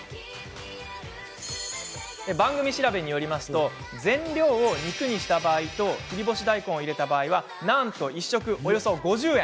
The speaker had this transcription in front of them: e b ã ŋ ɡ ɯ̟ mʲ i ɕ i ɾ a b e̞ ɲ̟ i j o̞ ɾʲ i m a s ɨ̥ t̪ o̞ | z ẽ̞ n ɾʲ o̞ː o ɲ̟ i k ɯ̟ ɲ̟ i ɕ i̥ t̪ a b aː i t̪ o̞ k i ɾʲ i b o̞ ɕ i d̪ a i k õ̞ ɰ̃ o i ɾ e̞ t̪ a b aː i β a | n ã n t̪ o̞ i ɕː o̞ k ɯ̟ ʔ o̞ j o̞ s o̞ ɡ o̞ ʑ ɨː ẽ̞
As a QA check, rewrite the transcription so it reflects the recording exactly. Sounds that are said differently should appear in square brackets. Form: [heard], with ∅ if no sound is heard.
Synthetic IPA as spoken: e b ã ŋ ɡ ɯ̟ mʲ i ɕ i ɾ a b e̞ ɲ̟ i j o̞ ɾʲ i m a s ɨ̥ t̪ o̞ | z ẽ̞ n ɾʲ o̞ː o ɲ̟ i k ɯ̟ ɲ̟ i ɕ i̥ t̪ a b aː i t̪ o̞ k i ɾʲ i b o̞ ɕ i d̪ a i k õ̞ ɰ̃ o i ɾ e̞ t̪ a b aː i β a | n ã n t̪ o̞ i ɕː o̞ k ɯ̟ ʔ o̞ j o̞ s o̞ ɡ o̞ ʑ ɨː ẽ̞